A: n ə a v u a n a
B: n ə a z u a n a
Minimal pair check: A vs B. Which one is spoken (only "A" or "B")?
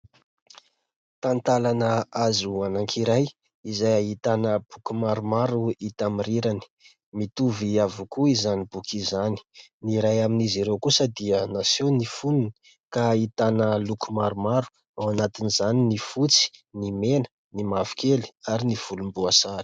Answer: B